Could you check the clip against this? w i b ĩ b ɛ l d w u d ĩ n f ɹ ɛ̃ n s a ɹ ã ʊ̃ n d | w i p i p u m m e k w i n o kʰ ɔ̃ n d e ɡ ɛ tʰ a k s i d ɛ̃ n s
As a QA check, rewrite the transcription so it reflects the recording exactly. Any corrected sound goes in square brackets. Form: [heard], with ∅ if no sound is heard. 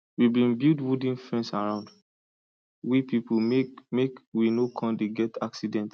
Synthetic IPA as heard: w i b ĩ b [i] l d w u d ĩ n f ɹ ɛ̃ n s a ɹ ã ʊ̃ n d | w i p i p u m m e k w i n o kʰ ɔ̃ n d e ɡ ɛ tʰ a k s i d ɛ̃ n [t]